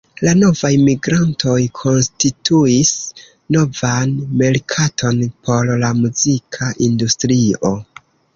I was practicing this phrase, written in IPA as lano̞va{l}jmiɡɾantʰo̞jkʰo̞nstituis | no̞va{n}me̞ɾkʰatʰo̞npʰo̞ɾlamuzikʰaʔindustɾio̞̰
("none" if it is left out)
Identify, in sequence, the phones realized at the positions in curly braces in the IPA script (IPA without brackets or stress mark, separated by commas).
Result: none, n